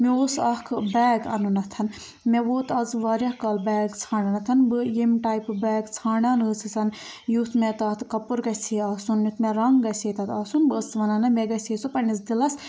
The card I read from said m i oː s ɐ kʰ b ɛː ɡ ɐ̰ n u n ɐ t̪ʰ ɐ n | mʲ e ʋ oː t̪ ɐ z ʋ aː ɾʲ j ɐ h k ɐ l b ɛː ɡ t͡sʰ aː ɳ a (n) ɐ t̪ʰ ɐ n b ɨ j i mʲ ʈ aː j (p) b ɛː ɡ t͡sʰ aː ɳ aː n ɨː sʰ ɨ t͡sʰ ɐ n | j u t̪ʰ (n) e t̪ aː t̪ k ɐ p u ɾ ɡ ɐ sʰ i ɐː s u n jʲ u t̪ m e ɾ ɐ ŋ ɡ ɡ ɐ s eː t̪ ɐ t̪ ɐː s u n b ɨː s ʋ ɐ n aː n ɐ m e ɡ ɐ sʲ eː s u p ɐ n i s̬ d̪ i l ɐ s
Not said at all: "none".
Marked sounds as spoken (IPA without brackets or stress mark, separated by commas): n, p, m